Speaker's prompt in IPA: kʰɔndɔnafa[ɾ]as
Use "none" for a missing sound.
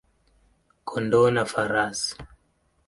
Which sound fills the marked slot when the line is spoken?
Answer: ɾ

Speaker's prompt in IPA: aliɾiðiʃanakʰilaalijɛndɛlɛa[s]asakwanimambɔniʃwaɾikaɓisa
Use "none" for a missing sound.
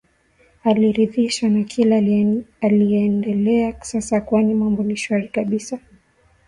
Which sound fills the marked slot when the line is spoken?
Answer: s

